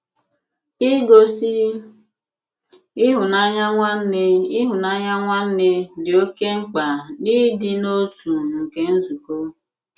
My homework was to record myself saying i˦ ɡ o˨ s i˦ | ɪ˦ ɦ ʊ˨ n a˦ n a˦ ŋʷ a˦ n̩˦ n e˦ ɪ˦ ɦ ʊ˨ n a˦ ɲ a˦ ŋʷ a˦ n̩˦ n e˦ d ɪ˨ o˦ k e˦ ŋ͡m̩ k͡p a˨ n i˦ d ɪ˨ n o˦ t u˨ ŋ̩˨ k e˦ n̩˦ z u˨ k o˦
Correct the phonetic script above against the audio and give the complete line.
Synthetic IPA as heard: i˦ ɡ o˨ s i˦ | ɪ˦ ɦ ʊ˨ n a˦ ɲ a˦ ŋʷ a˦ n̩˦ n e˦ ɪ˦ ɦ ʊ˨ n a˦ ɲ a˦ ŋʷ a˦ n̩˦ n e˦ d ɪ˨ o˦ k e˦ ŋ͡m̩ k͡p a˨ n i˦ d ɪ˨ n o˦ t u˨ ŋ̩˨ k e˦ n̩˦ z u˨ k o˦